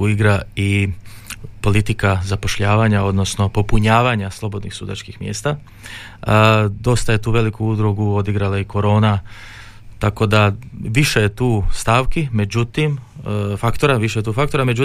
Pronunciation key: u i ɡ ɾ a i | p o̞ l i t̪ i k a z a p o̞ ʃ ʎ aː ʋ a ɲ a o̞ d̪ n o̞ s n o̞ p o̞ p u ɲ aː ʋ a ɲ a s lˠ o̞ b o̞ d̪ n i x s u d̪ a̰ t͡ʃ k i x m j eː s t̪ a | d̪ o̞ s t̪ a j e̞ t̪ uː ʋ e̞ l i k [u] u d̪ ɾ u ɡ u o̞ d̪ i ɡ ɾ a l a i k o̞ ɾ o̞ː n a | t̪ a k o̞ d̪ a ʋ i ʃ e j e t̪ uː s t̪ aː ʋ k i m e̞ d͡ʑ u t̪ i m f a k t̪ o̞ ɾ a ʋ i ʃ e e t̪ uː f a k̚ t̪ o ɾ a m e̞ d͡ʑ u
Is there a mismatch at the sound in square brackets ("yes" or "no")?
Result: no